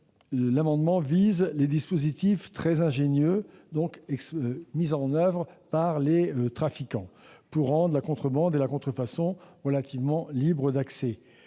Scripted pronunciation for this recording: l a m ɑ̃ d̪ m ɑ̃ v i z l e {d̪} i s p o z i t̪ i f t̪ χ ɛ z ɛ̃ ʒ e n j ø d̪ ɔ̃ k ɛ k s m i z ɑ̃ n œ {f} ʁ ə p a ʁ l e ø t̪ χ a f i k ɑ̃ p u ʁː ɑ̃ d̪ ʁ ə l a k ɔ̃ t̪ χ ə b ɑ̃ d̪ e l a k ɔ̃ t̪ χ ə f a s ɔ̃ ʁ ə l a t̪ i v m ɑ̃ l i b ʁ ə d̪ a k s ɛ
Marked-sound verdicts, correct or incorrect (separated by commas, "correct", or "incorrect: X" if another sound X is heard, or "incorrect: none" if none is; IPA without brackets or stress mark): correct, incorrect: v